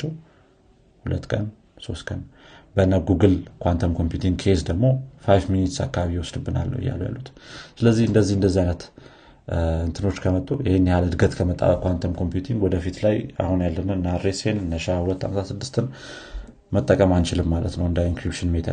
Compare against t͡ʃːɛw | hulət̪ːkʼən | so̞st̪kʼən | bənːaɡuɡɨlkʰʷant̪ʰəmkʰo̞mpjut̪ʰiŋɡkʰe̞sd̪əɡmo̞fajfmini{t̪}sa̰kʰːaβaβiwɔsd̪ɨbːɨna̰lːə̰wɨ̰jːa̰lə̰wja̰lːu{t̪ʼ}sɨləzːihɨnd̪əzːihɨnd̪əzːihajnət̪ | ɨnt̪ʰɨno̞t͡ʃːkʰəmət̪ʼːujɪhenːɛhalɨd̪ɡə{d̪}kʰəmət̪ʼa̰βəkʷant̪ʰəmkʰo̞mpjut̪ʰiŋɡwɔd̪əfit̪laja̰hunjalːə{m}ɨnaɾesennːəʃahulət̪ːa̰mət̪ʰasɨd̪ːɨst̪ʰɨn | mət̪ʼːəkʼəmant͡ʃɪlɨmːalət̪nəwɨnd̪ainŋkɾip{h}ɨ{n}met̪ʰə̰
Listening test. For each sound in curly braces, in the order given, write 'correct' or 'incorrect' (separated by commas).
correct, incorrect, incorrect, incorrect, incorrect, correct